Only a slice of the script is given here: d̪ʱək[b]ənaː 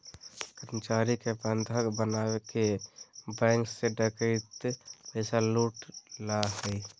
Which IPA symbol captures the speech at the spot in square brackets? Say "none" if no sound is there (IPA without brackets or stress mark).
b